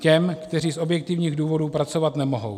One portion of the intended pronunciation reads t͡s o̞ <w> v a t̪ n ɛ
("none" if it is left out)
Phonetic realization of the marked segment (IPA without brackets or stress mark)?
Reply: none